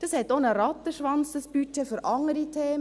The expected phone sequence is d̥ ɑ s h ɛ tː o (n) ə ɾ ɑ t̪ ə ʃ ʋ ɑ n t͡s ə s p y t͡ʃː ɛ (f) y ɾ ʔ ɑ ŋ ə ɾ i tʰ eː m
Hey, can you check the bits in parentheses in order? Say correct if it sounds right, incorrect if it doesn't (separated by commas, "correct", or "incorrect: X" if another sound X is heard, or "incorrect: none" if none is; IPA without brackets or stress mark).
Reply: correct, correct